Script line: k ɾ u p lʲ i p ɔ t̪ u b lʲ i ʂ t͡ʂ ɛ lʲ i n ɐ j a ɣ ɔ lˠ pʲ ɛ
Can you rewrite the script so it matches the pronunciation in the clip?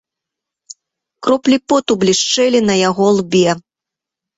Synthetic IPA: k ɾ ɔ p lʲ i p ɔ t̪ u b lʲ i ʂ t͡ʂ ɛ lʲ i n ɐ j a ɣ ɔ lˠ bʲ ɛ